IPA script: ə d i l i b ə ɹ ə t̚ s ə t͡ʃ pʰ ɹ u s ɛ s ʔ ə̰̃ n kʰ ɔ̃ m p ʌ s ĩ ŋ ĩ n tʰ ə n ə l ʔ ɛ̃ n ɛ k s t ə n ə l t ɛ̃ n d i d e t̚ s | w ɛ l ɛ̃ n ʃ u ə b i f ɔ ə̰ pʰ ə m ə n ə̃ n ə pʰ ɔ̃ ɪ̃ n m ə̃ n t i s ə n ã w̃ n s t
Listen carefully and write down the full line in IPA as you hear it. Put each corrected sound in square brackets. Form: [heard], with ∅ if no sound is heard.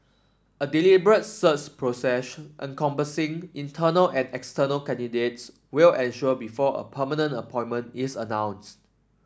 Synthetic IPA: ə d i l i b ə ɹ ə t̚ s ə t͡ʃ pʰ ɹ [o] s ɛ s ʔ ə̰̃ n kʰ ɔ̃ m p [ə] s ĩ ŋ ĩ n tʰ ə n ə l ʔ ɛ̃ n ɛ k s t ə n ə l [k] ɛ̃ n d i d e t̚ s | w [i] l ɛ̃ n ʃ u ə b i f ɔ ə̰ pʰ ə m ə n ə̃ n ə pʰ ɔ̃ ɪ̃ n m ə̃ n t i s ə n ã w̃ n s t